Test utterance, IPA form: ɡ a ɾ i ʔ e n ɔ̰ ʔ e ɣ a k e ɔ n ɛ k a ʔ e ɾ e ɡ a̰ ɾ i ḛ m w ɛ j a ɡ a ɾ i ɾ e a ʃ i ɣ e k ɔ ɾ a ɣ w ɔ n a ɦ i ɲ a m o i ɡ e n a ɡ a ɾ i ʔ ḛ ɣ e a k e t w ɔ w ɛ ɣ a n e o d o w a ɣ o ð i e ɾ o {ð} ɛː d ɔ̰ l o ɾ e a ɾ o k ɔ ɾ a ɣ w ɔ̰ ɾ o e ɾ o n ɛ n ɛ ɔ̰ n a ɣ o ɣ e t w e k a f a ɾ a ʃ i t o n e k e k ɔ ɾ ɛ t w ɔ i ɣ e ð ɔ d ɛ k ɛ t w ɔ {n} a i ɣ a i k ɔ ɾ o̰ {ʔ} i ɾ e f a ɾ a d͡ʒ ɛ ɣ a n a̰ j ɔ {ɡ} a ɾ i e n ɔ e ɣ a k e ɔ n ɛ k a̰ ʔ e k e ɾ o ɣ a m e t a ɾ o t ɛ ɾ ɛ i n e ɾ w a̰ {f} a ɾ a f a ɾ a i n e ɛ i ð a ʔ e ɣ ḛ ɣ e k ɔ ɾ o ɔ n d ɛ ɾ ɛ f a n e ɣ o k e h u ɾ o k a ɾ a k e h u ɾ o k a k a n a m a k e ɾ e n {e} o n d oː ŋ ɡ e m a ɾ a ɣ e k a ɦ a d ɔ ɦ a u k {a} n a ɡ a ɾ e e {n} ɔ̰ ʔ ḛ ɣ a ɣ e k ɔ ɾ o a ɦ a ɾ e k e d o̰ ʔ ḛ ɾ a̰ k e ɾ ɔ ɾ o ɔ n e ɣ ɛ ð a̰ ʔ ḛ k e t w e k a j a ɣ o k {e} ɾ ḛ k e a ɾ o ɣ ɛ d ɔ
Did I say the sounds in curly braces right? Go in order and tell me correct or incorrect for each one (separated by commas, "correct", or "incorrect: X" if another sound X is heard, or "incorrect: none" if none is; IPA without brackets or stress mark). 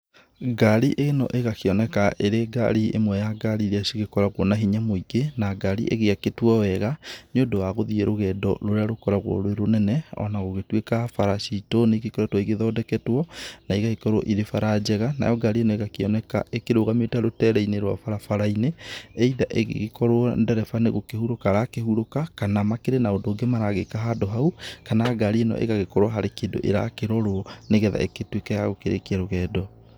incorrect: ɣ, correct, correct, correct, correct, incorrect: a, correct, correct, correct